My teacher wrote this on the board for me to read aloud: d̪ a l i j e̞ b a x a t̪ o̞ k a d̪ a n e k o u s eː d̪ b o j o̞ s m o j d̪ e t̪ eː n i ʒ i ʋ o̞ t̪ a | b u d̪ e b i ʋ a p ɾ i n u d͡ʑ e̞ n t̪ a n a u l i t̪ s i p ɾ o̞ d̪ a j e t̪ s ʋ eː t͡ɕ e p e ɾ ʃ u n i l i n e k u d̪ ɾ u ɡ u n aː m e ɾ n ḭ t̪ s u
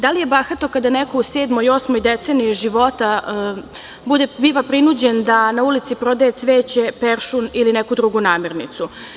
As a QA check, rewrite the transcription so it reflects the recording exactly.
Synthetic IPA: d̪ a l i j e̞ b a x a t̪ o̞ k a d̪ a n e k o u s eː d̪ m o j o̞ s m o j d̪ e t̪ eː n i ʒ i ʋ o̞ t̪ a | b u d̪ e b i ʋ a p ɾ i n u d͡ʑ e̞ n d̪ a n a u l i t̪ s i p ɾ o̞ d̪ a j e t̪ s ʋ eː t͡ɕ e p e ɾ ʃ u n i l i n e k u d̪ ɾ u ɡ u n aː m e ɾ n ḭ t̪ s u